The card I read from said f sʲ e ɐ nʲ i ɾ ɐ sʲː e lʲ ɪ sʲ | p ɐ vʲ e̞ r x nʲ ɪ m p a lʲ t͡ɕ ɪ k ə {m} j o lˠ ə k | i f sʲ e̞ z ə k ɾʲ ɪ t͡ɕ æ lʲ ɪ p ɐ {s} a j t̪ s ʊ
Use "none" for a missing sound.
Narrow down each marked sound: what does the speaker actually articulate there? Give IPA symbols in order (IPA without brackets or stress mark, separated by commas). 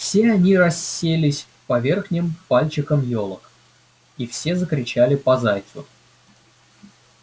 m, z